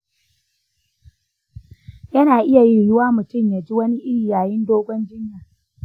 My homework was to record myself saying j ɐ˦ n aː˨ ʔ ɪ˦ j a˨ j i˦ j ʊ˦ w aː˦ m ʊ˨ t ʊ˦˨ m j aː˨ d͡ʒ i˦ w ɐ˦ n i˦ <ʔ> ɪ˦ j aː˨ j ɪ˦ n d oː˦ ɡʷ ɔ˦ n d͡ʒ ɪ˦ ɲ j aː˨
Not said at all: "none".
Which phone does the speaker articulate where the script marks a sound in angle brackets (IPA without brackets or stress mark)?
ʔ